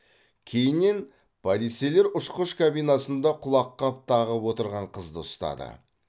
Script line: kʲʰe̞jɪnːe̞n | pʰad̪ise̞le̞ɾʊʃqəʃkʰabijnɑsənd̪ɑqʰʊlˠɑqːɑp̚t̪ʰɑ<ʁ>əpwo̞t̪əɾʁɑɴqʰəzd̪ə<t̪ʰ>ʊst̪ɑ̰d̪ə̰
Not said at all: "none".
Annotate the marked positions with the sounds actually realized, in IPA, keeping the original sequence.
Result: ʁ, none

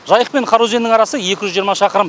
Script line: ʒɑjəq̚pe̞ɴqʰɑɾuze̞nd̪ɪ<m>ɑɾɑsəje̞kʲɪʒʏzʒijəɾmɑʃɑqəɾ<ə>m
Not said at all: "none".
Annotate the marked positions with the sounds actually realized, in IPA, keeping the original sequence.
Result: ŋ, ə

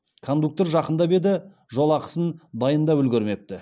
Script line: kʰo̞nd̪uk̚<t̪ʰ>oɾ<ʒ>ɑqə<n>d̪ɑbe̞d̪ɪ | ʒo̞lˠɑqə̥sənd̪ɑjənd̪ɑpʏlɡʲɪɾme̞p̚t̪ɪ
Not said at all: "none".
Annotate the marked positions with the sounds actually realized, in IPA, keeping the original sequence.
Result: t̪, ʒ, n

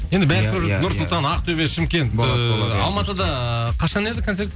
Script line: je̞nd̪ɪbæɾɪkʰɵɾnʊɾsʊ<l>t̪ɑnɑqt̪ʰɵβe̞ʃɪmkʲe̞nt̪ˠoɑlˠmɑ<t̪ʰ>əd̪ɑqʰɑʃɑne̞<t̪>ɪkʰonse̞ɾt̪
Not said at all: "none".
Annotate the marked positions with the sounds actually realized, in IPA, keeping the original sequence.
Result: l, t̪, d̪

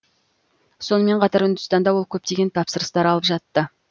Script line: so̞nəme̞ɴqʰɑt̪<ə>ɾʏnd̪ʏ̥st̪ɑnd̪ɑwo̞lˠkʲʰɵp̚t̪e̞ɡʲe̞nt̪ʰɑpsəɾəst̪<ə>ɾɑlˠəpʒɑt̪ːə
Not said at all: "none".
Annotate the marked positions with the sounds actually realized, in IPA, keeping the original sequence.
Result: ɑ, ɑ

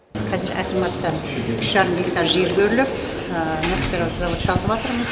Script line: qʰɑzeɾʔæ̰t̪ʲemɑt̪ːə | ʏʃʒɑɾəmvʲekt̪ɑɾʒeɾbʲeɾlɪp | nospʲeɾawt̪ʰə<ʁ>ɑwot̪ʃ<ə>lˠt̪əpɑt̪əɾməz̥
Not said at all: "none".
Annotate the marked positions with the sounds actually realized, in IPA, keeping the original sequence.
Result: z, ɑ

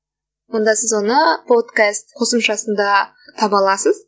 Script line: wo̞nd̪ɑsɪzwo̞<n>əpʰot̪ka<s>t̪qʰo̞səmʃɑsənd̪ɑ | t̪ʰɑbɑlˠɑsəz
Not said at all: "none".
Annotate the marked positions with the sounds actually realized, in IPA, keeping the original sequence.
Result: n, s

